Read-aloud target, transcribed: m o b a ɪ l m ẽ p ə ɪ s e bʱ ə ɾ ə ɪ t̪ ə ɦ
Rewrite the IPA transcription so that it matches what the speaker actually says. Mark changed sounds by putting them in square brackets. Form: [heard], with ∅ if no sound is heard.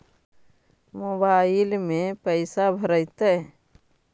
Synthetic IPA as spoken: m o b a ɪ l m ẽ p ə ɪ s [a] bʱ ə ɾ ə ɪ t̪ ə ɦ